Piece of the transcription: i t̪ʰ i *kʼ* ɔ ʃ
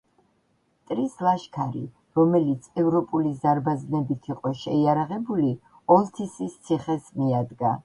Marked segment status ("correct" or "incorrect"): incorrect